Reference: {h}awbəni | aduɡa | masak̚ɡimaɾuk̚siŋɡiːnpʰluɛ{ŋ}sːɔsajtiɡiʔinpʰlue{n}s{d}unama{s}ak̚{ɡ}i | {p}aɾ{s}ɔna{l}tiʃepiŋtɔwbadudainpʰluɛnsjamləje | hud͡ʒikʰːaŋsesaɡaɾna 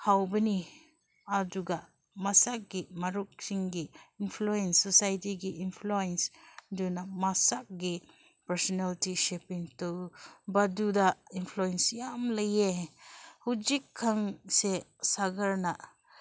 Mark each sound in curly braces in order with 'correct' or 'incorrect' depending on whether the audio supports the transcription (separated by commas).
correct, incorrect, correct, correct, correct, correct, correct, correct, correct